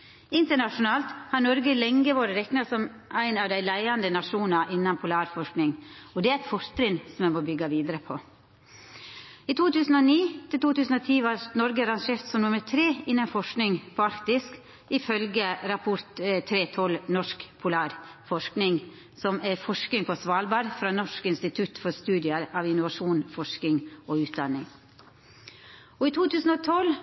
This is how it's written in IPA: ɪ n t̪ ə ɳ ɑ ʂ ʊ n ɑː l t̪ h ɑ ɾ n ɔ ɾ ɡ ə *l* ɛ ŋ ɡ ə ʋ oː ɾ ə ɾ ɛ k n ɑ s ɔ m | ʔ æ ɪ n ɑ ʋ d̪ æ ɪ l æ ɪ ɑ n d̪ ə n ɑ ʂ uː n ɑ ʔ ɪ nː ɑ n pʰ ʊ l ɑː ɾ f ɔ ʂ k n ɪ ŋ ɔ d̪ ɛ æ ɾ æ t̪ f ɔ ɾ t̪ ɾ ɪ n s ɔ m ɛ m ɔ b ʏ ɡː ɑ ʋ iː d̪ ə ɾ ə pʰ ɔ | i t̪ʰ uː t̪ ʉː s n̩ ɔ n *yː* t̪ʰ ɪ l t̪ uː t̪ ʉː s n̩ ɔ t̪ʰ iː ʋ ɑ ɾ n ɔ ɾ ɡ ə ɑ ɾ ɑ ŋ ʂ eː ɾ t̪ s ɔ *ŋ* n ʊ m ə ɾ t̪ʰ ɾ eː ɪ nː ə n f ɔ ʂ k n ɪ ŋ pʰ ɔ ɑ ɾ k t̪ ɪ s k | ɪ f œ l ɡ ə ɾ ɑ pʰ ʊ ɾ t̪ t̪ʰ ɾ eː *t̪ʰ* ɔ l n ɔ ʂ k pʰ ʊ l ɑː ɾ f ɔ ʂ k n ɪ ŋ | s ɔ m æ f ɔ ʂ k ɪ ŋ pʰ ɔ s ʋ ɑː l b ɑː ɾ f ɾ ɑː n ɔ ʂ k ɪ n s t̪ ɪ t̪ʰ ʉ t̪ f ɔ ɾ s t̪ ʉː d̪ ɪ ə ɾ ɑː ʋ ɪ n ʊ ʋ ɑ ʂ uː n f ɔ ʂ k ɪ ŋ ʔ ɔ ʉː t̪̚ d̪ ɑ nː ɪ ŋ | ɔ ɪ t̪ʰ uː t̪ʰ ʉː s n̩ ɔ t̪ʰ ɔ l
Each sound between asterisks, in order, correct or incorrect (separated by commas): correct, incorrect, incorrect, correct